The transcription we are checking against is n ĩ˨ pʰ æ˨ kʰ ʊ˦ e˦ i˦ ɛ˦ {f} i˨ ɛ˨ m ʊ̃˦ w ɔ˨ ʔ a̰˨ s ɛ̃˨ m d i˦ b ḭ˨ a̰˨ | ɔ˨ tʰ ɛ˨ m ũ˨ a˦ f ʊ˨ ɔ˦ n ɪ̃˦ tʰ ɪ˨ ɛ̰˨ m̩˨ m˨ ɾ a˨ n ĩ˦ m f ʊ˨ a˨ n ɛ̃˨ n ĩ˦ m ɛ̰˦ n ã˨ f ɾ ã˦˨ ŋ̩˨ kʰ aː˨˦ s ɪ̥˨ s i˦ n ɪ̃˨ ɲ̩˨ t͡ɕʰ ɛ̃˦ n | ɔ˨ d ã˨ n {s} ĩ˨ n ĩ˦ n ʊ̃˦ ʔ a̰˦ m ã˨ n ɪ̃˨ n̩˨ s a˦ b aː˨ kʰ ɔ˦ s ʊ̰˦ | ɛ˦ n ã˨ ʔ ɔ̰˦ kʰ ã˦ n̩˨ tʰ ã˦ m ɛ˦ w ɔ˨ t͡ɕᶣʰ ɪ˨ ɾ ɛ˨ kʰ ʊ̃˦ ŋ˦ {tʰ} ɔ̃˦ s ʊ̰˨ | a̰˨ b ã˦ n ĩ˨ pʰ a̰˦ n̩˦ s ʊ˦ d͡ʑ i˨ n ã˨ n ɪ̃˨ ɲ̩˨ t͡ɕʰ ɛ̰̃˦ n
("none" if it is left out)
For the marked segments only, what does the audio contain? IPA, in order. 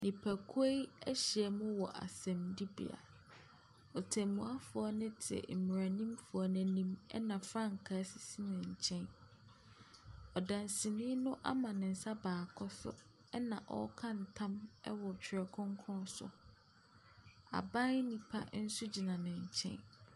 ɕ, s, kʰ

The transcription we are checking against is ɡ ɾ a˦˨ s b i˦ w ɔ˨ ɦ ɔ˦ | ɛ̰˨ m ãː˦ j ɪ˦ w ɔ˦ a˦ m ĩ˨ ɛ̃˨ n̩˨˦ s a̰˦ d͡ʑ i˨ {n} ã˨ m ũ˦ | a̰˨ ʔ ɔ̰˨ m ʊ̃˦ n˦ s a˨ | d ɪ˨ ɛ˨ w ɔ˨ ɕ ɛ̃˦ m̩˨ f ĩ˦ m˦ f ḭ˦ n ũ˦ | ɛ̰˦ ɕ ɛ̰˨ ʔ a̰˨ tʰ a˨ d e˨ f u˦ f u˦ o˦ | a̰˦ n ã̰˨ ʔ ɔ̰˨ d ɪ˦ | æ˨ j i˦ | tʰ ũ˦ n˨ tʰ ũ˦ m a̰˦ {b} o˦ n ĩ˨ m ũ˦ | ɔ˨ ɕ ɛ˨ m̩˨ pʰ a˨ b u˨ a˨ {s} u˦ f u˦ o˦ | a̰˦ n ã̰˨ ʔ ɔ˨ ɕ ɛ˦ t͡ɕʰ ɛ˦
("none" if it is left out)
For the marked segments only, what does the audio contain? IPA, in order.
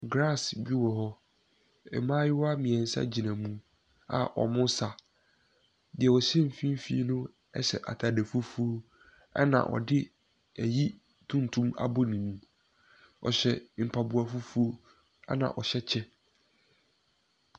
n, b, f

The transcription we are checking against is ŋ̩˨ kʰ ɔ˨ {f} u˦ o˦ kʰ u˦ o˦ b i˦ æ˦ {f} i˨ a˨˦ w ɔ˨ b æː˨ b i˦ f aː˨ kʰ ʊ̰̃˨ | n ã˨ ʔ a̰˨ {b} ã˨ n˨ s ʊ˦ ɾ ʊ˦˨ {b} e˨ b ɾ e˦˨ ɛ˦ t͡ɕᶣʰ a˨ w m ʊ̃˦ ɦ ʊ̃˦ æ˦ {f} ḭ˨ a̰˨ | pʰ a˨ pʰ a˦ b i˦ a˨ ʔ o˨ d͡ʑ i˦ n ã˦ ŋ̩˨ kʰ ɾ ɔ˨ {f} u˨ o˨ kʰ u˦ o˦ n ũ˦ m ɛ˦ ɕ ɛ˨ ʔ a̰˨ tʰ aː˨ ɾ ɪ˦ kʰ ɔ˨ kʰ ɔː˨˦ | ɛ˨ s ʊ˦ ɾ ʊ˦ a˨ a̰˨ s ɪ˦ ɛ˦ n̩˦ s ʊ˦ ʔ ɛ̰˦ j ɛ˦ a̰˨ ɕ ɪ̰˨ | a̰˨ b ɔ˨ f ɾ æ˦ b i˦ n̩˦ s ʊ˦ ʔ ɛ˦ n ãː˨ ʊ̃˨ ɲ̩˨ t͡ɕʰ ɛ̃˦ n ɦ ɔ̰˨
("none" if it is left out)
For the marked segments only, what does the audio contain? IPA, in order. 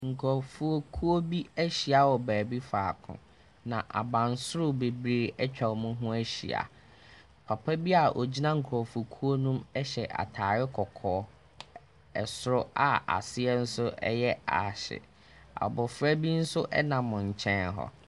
f, ɕ, b, b, ɕ, f

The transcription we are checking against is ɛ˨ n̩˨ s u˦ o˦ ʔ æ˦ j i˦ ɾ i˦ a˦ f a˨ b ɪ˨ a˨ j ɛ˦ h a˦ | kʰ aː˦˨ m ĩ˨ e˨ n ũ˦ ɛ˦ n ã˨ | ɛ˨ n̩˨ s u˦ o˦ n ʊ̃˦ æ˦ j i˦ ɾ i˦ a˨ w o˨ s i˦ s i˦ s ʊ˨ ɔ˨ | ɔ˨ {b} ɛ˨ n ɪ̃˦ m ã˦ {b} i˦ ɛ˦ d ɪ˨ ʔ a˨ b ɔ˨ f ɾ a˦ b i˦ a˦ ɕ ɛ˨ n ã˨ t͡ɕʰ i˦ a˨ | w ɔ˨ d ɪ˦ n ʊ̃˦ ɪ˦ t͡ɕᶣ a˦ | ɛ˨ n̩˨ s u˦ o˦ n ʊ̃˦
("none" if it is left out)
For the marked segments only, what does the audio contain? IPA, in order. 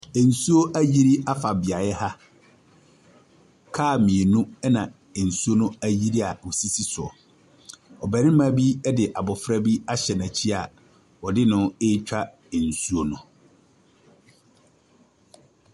b, b

